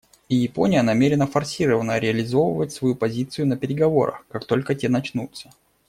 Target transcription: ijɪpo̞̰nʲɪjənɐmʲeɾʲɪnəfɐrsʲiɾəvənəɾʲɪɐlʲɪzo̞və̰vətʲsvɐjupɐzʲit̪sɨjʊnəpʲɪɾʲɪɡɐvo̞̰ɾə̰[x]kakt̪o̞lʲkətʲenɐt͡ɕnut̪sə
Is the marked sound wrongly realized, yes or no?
no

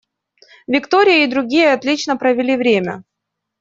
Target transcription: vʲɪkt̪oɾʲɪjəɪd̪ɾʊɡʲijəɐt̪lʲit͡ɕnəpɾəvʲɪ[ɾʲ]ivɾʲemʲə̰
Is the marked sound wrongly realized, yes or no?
yes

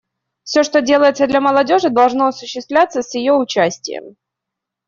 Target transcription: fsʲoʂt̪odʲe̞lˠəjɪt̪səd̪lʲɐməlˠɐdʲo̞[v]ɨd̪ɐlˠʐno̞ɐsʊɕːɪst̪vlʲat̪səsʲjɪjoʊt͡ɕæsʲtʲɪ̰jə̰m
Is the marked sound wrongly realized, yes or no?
yes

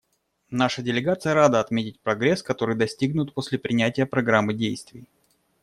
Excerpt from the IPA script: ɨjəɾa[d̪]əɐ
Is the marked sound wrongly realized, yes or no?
no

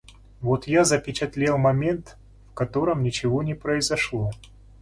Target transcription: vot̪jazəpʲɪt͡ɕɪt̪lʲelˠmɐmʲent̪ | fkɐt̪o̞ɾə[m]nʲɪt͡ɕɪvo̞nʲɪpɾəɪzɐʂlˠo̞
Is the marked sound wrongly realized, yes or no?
no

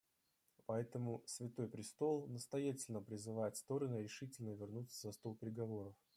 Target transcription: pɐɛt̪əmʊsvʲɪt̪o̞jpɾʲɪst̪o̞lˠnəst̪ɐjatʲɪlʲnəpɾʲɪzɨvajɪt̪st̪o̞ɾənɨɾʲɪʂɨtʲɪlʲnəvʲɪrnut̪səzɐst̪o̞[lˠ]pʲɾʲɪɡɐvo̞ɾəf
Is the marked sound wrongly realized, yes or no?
no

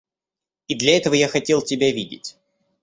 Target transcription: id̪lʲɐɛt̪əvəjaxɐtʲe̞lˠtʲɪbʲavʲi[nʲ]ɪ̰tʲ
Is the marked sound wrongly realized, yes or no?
yes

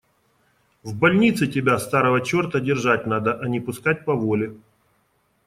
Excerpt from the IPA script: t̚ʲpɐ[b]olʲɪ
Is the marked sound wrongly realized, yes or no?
yes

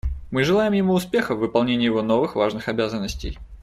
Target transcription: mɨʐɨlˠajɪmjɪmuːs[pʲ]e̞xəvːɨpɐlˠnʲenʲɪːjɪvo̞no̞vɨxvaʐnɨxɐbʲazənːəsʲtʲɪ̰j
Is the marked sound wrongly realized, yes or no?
no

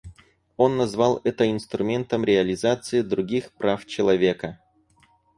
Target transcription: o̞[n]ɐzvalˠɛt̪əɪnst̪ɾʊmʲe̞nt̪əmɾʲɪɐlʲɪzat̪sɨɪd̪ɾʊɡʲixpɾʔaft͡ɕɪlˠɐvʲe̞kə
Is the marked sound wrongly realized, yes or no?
yes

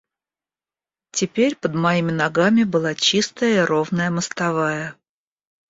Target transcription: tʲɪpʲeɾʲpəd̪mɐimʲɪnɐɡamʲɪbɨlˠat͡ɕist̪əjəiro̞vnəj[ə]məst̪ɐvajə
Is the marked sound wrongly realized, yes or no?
no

